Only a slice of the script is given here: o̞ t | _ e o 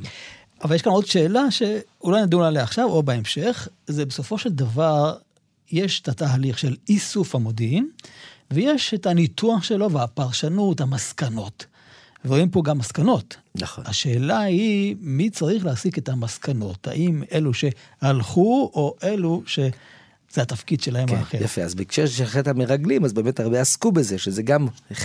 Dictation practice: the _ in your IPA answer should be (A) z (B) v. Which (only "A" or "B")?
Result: B